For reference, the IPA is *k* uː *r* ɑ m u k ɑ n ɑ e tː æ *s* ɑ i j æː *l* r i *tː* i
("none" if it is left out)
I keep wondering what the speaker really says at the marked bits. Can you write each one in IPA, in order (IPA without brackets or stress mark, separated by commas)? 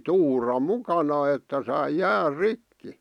t, r, s, r, kː